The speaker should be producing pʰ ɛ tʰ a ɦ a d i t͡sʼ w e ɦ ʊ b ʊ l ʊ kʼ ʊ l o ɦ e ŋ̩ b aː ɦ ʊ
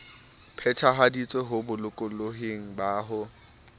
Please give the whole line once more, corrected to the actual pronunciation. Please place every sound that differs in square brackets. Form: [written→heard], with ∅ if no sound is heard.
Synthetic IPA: pʰ ɛ tʰ a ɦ a d i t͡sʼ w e ɦ ʊ b ʊ l ʊ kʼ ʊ l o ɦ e ŋ̩ b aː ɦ ʊ